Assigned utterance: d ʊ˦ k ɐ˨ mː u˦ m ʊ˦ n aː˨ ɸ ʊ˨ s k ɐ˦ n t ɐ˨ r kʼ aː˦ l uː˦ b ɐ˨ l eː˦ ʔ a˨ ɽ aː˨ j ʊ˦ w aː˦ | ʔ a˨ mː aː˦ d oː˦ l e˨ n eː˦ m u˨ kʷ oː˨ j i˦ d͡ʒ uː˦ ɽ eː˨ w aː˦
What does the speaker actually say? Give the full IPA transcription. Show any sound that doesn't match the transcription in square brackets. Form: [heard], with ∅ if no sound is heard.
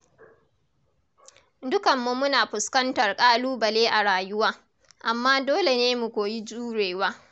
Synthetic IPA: d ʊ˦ k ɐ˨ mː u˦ m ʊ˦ n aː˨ ɸ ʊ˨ s k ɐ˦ n t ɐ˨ r kʼ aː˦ l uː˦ b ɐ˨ l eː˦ ʔ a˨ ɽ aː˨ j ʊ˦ w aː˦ | ʔ a˨ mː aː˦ d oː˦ l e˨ n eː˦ m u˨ kʷ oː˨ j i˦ d͡ʒ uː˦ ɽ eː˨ w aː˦